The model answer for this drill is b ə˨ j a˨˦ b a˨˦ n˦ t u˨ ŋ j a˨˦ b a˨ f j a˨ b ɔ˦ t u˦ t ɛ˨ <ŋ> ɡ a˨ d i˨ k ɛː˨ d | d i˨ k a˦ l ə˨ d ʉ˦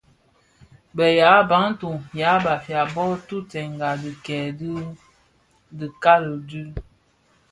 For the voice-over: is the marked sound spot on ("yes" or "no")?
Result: yes